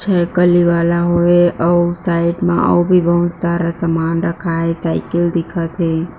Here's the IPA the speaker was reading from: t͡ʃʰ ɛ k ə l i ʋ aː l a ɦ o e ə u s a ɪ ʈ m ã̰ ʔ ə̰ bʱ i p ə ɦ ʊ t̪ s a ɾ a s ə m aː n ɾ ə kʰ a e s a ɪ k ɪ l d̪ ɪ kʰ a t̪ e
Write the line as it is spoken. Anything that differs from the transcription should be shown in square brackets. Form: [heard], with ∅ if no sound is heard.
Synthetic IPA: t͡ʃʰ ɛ k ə l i ʋ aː l a ɦ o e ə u s a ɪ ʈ m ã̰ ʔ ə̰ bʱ i [b] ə ɦ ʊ t̪ s a ɾ a s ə m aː n ɾ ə kʰ a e s a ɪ k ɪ l d̪ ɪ kʰ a t̪ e